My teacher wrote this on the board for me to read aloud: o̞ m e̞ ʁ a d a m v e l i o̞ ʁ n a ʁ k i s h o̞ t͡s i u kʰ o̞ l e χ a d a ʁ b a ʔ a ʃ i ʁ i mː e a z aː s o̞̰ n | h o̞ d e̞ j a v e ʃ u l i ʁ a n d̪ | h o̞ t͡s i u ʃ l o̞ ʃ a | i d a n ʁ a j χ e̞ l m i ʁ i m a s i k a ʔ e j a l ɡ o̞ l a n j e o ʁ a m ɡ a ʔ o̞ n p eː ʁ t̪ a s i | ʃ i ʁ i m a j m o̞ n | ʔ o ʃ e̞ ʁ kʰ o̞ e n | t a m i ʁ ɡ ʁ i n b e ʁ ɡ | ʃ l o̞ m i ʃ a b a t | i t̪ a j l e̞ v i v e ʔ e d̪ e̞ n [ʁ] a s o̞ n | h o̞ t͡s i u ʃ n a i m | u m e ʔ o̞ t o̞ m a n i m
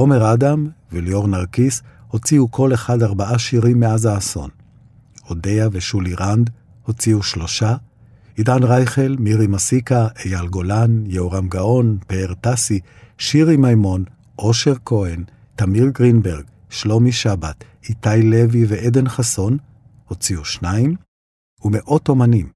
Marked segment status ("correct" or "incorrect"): incorrect